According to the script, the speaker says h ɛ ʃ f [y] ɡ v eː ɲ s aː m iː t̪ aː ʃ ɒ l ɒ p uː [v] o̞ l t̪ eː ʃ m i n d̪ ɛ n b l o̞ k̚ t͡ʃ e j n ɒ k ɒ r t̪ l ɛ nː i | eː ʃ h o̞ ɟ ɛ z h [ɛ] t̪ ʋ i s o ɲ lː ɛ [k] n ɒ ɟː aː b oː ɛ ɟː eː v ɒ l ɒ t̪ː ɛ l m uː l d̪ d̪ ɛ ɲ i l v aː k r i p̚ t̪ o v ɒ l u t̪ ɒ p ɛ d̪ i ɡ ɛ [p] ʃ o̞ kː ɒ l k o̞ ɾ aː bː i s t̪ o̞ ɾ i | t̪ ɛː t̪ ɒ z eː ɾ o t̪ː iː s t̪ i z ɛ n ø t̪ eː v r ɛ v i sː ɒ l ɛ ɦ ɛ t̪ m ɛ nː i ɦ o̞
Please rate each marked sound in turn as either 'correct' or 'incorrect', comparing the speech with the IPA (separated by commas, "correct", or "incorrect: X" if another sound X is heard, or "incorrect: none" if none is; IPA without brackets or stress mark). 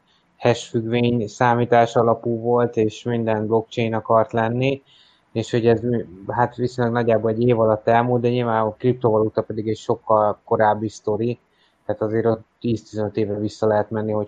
correct, correct, incorrect: a, incorrect: ɡ, incorrect: c